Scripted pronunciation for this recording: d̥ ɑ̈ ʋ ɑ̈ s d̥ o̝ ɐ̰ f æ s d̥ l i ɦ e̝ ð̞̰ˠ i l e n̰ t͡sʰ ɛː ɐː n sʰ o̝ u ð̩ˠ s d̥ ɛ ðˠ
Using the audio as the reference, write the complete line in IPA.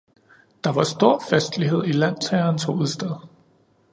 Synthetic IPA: d̥ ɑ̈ ʋ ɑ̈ s d̥ o̝ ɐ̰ f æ s d̥ l i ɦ e̝ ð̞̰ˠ i l æ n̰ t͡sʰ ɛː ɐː n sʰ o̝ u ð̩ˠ s d̥ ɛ ðˠ

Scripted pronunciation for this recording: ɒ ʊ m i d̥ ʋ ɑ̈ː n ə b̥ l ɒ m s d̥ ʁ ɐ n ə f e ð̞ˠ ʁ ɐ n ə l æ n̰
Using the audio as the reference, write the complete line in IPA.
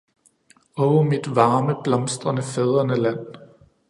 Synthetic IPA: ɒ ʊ m i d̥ ʋ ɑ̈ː m ə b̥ l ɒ m s d̥ ʁ ɐ n ə f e ð̞ˠ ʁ ɐ n ə l æ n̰

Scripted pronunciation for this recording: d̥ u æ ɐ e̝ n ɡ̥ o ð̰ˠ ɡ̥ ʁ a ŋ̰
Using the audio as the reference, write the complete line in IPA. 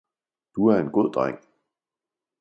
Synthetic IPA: d̥ u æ ɐ e̝ n ɡ̥ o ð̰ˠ d̥ ʁ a ŋ̰

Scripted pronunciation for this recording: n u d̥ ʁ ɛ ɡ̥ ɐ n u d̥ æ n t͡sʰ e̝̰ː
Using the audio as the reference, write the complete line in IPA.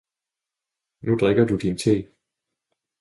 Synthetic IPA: n u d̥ ʁ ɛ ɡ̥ ɐ d u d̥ i n t͡sʰ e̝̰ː

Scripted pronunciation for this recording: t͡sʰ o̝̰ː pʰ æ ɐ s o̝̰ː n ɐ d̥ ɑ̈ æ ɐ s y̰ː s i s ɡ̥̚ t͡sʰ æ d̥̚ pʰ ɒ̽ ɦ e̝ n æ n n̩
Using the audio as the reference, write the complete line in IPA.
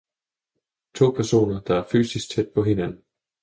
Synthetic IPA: t͡sʰ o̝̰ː pʰ æ ɐ s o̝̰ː n ɐ d̥ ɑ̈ æ ɐ f y̰ː s i s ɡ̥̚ t͡sʰ e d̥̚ pʰ ɒ̽ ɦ e̝ n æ n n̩

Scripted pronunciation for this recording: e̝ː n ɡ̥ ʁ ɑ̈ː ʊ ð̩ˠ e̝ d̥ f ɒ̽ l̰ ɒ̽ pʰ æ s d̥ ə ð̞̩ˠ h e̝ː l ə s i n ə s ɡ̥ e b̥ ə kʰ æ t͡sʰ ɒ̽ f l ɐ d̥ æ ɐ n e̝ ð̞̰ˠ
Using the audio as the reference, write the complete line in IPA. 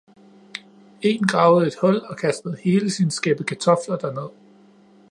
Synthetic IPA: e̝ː n ɡ̥ ʁ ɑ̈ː ʊ ð̩ˠ e̝ d̥ h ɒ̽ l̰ ɒ̽ kʰ æ s d̥ ə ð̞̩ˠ h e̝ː l ə s i n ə s ɡ̥ e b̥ ə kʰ æ t͡sʰ ɒ̽ f l ɐ d̥ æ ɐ n e̝ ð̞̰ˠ

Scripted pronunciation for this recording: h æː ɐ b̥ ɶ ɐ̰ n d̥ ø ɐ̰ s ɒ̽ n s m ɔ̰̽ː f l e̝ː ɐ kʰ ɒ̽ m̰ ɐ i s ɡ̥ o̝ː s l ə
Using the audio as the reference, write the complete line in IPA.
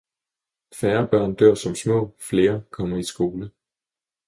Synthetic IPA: f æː ɐ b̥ ɶ ɐ̰ n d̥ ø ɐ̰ s ɒ̽ m s m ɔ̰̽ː f l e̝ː ɐ kʰ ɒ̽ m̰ ɐ i s ɡ̥ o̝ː l ə

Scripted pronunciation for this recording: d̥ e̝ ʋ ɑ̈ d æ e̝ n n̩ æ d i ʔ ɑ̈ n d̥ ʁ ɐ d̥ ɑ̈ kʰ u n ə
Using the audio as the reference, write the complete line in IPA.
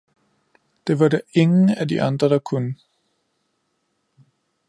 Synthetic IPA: d̥ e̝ ʋ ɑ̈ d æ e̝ ŋ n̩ æ d i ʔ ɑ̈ n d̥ ʁ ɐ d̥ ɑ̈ kʰ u n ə

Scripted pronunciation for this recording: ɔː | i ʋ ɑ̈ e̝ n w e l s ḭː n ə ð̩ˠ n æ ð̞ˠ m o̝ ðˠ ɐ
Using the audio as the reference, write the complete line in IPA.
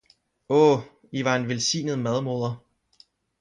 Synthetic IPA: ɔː | i ʋ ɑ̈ e̝ n ʋ e l s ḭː n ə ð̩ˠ m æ ð̞ˠ m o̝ ðˠ ɐ

